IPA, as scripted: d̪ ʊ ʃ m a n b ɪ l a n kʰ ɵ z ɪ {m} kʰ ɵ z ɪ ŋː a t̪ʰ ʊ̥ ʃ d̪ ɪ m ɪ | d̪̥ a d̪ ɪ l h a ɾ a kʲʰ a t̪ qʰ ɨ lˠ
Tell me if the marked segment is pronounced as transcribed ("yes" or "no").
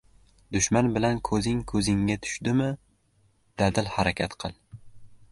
no